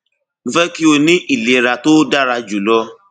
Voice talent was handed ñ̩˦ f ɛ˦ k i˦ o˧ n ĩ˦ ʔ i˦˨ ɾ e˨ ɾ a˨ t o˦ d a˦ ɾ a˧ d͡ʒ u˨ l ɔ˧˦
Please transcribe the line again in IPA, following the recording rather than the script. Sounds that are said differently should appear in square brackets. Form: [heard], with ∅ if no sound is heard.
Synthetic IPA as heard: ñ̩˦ f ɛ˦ k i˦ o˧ n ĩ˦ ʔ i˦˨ [l] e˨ ɾ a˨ t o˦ d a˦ ɾ a˧ d͡ʒ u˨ l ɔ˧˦